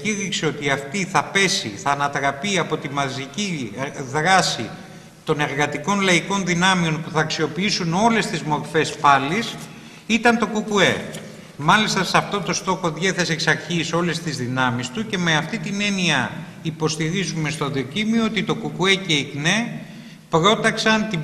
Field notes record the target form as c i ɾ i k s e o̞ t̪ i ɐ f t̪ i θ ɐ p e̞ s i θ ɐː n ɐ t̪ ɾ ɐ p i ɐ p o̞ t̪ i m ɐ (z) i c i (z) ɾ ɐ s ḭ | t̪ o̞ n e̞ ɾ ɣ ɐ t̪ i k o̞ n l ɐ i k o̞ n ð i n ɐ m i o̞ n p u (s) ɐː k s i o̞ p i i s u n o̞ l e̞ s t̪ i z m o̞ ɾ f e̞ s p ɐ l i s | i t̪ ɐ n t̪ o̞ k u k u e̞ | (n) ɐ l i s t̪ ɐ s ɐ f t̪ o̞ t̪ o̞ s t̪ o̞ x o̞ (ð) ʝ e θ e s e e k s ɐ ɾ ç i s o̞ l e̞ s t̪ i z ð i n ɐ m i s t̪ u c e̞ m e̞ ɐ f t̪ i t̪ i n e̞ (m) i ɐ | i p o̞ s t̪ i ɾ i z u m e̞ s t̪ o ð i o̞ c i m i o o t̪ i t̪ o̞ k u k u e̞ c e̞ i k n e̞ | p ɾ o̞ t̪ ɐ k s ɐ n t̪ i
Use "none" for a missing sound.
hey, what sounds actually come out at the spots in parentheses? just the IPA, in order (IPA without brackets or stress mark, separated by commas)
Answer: z, ð, θ, m, ð, n